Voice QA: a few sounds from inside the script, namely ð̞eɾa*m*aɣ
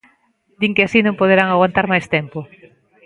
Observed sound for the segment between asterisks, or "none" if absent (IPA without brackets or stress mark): ŋ